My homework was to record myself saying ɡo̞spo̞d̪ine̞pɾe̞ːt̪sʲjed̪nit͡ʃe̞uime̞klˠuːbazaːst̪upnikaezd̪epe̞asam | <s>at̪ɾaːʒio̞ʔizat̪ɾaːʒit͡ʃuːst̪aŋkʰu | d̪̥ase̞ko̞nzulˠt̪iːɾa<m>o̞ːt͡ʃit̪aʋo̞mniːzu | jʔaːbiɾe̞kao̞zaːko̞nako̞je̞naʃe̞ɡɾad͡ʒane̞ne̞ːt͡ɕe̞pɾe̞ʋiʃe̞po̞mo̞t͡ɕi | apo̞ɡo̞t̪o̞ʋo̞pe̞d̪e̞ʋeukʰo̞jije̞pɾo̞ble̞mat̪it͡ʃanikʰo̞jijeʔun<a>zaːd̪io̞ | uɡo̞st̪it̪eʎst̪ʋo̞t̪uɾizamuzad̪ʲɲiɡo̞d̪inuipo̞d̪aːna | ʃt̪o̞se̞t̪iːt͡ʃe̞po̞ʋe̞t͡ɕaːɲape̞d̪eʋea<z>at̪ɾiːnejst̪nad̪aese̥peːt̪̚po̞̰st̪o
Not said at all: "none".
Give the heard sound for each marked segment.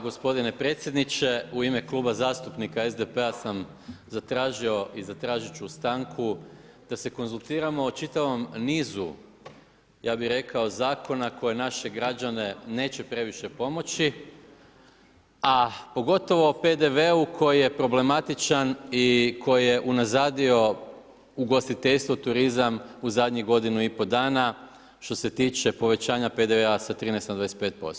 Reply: z, m, a, s

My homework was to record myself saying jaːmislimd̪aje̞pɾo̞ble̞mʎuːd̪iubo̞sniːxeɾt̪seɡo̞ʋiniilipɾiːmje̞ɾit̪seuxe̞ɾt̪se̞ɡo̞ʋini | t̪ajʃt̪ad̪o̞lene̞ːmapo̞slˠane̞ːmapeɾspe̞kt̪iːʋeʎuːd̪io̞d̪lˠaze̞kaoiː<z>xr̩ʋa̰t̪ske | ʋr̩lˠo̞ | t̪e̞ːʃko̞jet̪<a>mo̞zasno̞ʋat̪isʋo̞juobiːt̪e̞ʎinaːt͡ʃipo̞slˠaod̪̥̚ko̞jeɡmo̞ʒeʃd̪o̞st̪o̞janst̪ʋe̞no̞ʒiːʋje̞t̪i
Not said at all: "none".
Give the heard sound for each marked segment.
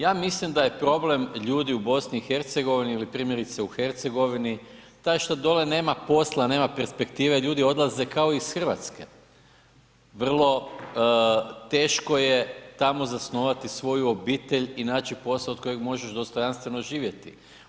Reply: s, a

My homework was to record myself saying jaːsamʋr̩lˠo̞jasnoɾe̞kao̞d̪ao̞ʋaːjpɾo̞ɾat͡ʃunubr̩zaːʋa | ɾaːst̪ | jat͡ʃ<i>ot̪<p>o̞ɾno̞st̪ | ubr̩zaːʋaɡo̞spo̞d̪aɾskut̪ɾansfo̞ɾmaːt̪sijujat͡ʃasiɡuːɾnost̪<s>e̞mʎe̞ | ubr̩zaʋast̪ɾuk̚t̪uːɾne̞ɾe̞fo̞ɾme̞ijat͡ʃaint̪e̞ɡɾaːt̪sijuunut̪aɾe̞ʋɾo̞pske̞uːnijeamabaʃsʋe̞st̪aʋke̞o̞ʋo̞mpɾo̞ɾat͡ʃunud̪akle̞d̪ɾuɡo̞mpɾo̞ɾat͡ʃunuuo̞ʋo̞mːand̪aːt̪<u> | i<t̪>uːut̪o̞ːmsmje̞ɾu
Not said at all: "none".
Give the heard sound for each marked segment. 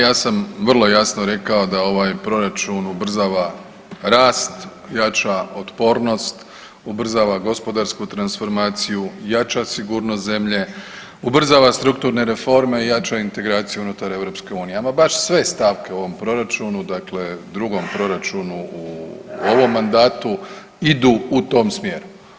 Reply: a, p, z, u, d̪

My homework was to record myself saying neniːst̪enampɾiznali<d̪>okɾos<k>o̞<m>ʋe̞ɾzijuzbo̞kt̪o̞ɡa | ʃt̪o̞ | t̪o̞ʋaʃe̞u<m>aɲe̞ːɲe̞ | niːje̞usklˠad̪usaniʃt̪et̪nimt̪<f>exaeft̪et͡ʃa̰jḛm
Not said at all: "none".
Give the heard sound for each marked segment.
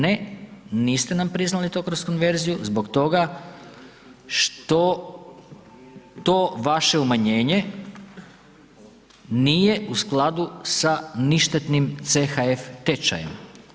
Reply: t̪, k, n, m, s

